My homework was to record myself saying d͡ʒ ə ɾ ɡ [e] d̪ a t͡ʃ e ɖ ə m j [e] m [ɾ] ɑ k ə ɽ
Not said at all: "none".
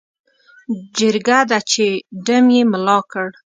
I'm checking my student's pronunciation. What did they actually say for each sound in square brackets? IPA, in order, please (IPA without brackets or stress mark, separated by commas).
a, e, l